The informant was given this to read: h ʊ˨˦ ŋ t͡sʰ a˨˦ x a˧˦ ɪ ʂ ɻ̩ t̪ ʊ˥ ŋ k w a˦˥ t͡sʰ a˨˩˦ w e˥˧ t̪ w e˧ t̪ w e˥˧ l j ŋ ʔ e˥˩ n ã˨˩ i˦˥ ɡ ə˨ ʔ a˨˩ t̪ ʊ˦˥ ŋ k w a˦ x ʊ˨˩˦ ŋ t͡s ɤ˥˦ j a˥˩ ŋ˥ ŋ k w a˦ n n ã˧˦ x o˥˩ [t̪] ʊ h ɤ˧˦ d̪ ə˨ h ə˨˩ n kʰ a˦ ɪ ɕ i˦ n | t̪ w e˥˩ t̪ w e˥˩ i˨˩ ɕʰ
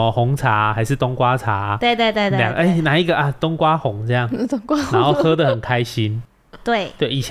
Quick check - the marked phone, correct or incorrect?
incorrect